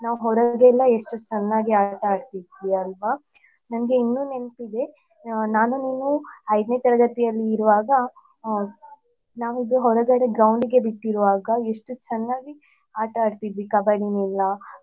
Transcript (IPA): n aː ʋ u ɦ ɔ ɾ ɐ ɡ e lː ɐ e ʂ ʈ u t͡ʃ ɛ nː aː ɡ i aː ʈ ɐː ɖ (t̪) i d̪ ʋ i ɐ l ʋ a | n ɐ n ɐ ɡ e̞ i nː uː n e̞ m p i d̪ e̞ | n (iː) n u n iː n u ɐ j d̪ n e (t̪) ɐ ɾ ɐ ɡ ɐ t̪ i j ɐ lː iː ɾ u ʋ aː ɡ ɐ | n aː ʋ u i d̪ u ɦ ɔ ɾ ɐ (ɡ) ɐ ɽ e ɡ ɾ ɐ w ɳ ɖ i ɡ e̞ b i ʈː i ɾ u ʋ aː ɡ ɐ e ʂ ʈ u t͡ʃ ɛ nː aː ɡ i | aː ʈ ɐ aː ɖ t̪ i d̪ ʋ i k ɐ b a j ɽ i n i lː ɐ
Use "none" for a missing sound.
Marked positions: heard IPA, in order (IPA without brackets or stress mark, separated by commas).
t̪, aː, t̪, ɡ